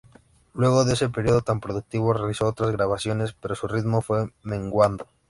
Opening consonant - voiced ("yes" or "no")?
yes